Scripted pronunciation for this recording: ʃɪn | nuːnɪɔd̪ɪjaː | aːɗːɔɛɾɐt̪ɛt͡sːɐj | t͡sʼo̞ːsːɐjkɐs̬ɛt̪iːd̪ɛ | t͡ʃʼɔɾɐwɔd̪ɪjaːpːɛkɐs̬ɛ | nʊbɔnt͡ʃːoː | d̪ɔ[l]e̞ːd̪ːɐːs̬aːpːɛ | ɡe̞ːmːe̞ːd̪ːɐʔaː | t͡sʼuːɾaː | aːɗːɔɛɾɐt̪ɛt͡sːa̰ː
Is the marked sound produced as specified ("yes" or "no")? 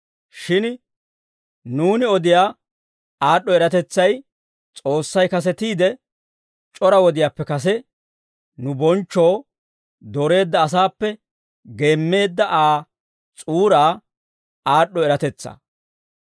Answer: no